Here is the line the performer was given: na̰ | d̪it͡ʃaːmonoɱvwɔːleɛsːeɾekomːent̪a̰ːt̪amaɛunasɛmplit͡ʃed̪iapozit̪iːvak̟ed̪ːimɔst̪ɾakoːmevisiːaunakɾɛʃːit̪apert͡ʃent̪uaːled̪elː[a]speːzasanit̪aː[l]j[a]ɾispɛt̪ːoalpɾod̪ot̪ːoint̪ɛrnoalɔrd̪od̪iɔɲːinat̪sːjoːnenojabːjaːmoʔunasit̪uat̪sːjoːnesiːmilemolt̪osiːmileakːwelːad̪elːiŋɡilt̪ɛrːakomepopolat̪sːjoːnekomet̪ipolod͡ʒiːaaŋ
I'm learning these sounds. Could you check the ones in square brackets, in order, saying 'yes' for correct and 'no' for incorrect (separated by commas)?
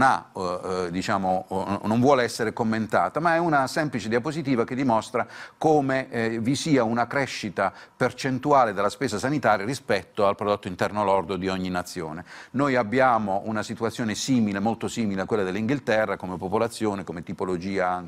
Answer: yes, no, yes